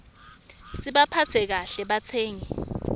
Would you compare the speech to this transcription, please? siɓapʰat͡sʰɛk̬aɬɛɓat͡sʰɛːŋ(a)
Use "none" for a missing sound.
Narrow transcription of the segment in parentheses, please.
ɛ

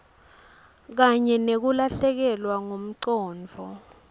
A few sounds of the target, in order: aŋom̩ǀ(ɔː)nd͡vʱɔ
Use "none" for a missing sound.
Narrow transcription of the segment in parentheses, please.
ɔː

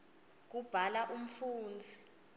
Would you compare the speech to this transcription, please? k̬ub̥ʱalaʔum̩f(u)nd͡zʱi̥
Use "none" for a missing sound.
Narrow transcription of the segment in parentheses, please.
uː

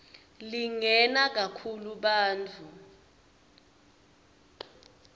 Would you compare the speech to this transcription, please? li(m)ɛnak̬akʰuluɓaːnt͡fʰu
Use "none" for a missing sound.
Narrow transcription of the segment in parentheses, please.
ŋ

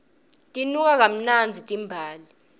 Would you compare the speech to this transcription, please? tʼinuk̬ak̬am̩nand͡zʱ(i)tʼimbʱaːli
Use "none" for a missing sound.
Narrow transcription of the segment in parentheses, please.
i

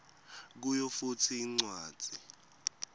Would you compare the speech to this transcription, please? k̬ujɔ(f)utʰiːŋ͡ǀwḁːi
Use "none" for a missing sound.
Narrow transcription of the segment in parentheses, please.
f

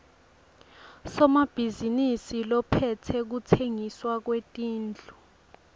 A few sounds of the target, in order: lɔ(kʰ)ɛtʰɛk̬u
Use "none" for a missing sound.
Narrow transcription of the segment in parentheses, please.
pʰ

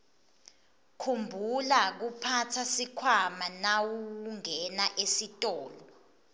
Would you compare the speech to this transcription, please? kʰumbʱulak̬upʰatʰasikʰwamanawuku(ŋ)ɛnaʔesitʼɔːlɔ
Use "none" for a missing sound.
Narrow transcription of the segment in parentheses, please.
ŋ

